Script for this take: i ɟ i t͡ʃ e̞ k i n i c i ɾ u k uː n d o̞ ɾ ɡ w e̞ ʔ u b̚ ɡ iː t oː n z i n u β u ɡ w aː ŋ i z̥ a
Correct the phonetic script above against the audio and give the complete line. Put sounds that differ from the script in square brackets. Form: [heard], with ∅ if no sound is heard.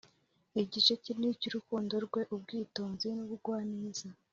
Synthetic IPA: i ɟ i t͡ʃ e̞ [c] i n i c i ɾ u k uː n d o̞ ɾ ɡ w e̞ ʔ u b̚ ɡ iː t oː n z i n u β u ɡ w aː [n] i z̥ a